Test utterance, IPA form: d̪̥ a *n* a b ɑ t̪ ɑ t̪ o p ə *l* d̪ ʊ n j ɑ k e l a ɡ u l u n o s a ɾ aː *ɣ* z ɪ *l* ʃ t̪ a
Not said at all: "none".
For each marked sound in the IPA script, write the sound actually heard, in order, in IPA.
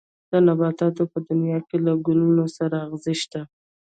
n, none, ɣ, none

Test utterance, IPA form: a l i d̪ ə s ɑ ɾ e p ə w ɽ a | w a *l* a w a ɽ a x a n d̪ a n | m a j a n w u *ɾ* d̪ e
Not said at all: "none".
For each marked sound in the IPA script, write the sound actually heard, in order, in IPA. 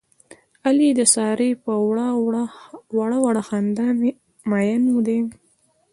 ɽ, none

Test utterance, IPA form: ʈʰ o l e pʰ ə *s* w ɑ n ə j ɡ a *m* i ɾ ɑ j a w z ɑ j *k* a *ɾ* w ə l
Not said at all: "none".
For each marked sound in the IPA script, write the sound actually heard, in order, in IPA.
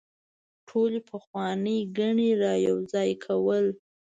x, ɳ, kʰ, none

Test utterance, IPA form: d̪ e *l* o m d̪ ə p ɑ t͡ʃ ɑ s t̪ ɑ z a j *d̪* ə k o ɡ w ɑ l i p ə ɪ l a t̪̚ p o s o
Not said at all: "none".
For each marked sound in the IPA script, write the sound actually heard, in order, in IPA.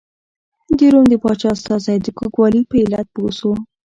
ɾ, d̪

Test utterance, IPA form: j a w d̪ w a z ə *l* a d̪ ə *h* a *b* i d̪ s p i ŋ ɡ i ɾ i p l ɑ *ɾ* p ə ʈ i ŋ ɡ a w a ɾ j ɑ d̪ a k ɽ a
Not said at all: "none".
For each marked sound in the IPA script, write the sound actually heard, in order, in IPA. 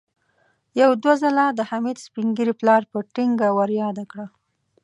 l, h, m, ɾ

